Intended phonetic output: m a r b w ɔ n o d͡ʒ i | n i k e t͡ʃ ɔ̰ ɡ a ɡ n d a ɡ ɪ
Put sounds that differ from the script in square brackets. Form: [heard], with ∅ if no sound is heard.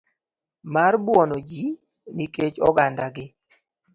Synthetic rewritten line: m a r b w ɔ n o d͡ʒ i | n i k e t͡ʃ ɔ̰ ɡ a [∅] n d a ɡ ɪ